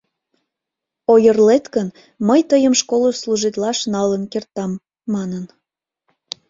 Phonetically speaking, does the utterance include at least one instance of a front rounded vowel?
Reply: no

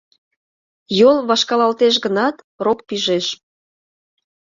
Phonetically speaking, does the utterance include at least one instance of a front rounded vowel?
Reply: no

